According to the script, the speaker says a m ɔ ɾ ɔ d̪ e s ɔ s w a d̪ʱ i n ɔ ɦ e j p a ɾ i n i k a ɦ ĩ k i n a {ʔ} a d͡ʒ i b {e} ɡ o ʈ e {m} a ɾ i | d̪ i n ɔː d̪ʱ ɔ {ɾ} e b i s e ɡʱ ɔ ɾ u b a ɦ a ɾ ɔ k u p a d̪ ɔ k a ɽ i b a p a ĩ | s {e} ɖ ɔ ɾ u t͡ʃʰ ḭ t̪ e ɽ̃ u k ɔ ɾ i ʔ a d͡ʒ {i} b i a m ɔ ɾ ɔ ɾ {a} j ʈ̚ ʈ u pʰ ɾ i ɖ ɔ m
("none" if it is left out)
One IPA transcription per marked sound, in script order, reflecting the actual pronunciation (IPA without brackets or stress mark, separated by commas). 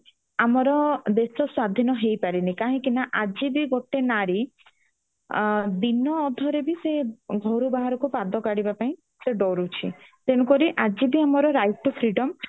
ʔ, i, n, ɾ, e, i, a